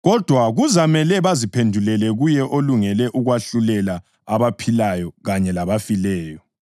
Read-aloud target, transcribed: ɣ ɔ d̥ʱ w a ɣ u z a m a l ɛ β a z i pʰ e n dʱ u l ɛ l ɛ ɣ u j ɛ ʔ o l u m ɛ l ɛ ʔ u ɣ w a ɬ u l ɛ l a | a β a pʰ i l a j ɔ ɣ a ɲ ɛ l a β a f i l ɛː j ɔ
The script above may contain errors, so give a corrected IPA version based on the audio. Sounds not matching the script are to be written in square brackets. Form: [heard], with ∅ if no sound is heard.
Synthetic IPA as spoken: ɣ ɔ d̥ʱ w a ɣ u z a m [ɛ] l ɛ β a z i pʰ e n dʱ u l ɛ l ɛ ɣ u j ɛ ʔ o l u [ŋ] ɛ l ɛ ʔ u ɣ w a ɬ u l ɛ l a | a β a pʰ i l a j ɔ ɣ a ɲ ɛ l a β a f i l ɛː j ɔ